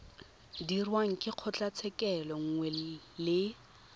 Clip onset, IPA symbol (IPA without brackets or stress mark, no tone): d